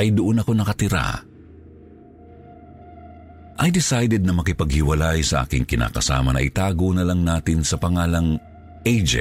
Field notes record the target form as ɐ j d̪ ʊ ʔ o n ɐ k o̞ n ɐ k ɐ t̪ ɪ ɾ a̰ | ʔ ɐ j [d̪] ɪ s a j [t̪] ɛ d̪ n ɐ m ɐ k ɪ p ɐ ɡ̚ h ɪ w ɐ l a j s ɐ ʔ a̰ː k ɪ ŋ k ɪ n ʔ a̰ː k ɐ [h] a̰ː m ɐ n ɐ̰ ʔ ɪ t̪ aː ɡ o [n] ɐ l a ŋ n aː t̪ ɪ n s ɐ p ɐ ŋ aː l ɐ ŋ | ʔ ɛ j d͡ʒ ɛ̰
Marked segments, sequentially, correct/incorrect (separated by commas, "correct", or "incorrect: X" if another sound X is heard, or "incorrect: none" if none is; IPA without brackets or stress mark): correct, incorrect: d̪, incorrect: s, correct